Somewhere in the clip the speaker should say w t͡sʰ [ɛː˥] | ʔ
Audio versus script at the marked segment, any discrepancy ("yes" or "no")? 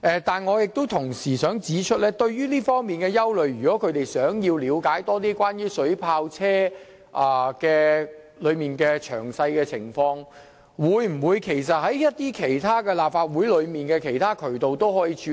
no